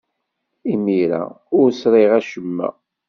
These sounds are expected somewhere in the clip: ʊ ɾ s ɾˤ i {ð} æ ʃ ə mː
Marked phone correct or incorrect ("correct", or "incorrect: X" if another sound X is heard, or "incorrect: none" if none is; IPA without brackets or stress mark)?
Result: incorrect: ʁ